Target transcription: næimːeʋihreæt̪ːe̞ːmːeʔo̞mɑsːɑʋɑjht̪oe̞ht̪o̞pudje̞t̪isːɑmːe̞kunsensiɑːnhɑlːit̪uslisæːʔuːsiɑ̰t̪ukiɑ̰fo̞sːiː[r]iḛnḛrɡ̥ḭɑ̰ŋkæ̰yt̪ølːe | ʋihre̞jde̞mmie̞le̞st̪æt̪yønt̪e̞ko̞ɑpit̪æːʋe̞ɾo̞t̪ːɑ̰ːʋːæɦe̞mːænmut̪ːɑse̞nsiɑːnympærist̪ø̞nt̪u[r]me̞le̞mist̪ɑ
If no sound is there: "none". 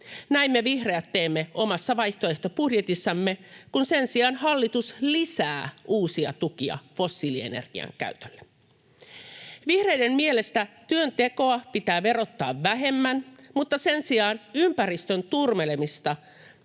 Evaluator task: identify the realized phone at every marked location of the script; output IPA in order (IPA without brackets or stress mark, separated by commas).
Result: l, r